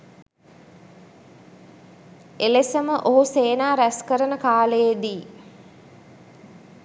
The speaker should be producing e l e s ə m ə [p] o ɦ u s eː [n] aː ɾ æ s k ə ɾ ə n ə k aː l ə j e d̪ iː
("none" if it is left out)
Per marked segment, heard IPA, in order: ʔ, n

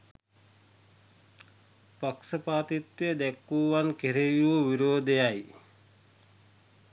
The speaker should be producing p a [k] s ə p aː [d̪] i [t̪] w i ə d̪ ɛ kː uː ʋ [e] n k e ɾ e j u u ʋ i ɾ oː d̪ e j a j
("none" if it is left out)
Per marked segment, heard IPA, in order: k, t̪, t̪, a

